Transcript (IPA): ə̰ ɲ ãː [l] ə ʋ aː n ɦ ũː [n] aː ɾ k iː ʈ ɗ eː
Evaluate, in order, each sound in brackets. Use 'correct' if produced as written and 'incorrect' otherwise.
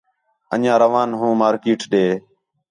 incorrect: ɾ, incorrect: m

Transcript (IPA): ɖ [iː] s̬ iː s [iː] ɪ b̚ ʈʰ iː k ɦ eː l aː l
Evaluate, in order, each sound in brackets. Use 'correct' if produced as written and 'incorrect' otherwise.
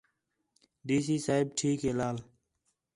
correct, incorrect: aː

